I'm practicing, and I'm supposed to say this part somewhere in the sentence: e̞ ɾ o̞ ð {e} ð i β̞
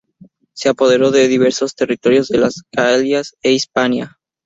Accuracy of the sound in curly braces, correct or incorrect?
correct